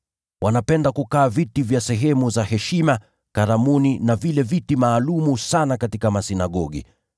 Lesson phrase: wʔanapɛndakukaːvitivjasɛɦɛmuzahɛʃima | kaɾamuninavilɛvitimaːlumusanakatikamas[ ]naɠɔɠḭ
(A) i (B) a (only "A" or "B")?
A